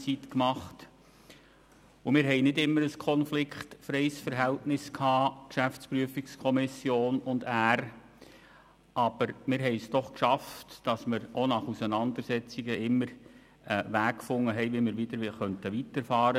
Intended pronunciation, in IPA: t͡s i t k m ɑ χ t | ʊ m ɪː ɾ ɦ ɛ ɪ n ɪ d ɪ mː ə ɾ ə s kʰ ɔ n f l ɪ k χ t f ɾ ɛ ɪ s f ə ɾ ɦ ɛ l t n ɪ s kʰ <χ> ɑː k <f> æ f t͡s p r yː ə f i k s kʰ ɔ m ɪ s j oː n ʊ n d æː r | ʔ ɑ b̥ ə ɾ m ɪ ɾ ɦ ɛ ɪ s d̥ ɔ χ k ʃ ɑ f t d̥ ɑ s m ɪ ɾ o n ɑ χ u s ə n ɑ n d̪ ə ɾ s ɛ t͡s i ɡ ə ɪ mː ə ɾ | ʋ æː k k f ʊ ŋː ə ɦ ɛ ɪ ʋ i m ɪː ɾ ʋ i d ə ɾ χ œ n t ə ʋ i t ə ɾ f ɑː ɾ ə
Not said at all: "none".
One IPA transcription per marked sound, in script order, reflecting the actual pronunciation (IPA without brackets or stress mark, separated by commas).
h, ʃ